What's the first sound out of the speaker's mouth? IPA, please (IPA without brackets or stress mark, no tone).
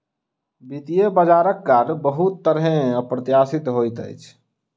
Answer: b